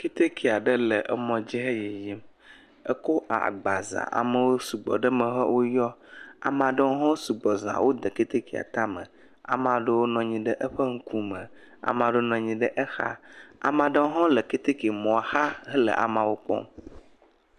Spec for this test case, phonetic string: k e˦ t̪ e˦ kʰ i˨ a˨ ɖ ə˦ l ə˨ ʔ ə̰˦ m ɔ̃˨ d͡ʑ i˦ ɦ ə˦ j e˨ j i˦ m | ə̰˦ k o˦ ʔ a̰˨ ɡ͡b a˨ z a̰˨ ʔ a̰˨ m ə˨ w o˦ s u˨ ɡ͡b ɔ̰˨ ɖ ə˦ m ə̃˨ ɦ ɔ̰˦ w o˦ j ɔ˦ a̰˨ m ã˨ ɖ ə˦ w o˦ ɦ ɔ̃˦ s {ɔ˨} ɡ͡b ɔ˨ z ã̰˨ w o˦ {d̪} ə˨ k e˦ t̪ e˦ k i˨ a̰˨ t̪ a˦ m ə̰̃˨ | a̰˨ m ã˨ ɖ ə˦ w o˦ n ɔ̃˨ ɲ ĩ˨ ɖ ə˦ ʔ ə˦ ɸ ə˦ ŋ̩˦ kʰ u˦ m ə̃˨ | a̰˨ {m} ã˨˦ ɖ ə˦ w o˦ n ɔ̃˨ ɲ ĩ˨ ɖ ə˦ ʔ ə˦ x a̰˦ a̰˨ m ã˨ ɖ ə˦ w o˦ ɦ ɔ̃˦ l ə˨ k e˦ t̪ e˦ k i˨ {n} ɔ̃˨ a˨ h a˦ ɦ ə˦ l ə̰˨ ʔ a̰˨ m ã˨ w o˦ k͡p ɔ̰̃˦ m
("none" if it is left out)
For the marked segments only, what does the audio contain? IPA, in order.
u˨, d̪, m, m

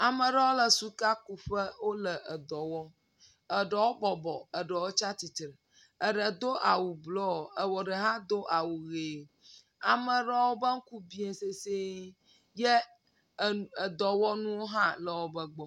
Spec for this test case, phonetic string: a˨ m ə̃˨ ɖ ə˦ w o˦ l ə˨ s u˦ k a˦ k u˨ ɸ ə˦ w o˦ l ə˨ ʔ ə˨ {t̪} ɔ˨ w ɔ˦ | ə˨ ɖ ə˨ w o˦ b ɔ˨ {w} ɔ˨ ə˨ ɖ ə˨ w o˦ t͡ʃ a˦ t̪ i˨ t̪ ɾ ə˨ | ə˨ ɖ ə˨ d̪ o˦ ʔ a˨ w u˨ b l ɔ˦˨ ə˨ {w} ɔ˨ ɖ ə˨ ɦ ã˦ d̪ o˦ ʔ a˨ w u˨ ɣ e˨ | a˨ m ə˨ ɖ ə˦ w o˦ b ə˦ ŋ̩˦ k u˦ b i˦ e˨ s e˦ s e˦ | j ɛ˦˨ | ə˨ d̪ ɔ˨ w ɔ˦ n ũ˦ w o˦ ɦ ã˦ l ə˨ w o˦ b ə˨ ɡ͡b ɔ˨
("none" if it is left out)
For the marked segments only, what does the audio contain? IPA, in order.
d̪, b, w

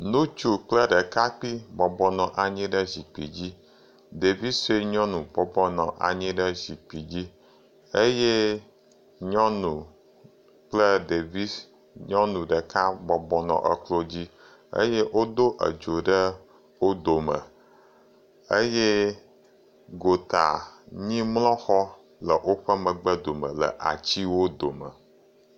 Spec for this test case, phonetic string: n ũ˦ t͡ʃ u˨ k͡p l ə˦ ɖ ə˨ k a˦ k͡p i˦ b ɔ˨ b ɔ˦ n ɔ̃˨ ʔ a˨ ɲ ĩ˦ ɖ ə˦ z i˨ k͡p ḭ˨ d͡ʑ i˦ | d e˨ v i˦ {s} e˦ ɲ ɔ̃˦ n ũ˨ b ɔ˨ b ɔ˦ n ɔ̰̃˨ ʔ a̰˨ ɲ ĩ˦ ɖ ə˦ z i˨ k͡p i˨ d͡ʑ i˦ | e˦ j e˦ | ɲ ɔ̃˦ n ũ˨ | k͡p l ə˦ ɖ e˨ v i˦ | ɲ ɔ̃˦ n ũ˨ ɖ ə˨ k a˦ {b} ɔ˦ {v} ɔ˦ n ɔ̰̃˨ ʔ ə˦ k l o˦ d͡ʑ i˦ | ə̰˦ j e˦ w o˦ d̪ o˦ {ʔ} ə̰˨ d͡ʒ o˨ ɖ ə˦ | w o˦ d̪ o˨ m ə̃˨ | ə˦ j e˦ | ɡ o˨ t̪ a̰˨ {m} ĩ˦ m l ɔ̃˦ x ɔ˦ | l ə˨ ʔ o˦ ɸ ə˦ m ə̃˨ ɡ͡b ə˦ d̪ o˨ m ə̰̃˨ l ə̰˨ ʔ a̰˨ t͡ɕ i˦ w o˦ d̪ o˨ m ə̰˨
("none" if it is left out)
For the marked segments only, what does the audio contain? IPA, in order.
s, b, b, ʔ, ɲ

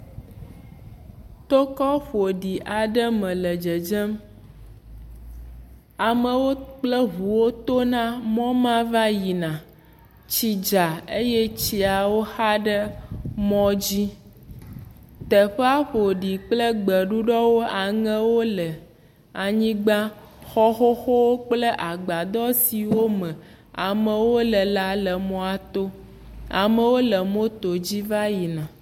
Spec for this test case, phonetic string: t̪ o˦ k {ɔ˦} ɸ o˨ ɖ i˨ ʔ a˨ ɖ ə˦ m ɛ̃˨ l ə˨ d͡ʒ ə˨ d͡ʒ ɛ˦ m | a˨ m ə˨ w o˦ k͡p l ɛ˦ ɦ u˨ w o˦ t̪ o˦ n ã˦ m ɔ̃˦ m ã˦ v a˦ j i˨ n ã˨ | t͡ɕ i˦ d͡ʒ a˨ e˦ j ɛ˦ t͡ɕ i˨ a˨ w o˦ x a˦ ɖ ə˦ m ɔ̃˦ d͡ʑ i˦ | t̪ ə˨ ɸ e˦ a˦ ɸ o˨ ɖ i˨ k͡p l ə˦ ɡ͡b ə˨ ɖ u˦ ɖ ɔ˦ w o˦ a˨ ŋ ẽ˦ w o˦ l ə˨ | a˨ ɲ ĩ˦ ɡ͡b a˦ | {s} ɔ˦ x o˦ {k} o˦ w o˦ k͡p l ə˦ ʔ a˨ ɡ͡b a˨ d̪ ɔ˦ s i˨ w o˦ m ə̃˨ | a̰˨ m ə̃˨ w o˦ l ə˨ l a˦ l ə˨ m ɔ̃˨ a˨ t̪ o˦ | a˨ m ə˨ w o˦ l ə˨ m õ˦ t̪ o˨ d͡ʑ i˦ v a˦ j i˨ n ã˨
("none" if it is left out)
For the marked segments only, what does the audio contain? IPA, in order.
ɔ˦, x, x

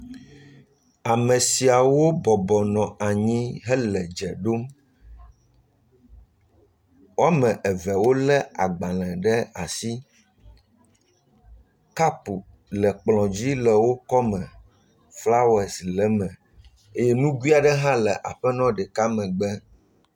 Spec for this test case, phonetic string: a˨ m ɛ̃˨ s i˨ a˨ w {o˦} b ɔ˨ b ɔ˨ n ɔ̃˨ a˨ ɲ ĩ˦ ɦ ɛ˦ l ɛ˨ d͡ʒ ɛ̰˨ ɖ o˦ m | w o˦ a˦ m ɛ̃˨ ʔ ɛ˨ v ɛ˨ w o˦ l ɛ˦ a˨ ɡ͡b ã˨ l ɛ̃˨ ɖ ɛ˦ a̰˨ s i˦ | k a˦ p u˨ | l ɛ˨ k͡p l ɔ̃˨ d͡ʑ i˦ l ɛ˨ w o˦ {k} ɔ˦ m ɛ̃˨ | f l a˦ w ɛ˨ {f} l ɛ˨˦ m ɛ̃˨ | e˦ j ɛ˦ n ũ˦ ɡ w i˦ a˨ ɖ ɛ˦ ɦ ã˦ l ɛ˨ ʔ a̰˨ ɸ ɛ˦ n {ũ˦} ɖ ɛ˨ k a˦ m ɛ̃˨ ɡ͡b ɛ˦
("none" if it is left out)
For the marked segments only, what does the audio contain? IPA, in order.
o˦, k, s, ɔ̃˦

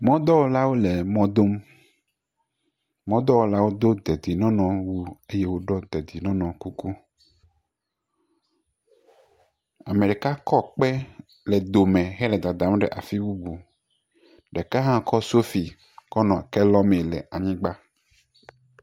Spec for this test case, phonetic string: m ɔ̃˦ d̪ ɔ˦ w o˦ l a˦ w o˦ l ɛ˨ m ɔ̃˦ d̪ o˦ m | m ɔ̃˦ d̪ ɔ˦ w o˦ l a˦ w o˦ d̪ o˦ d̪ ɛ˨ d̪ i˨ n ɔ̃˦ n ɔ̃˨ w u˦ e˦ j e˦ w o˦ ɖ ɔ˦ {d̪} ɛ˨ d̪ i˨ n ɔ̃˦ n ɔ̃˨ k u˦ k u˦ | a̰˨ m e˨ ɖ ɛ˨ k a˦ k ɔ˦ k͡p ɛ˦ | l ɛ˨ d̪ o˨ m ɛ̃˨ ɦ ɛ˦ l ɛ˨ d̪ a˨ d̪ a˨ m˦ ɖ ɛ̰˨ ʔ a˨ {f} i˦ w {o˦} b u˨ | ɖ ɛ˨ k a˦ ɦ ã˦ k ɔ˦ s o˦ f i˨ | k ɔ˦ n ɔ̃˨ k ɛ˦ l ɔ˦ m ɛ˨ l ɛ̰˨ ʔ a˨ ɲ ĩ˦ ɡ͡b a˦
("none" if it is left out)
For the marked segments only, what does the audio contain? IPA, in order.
d̪, f, u˦

